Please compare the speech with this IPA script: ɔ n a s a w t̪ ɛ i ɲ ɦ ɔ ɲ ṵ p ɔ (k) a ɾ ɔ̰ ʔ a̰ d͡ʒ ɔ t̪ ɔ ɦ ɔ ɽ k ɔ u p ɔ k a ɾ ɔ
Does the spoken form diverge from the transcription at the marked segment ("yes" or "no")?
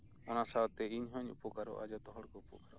no